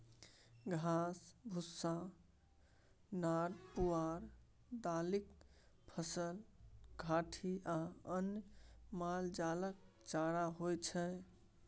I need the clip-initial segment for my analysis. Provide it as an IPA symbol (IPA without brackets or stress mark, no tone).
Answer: ɡʱ